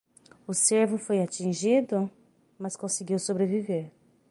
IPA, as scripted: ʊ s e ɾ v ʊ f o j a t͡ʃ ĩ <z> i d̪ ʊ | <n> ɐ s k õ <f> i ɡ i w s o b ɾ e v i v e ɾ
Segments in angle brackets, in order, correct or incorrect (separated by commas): incorrect, incorrect, incorrect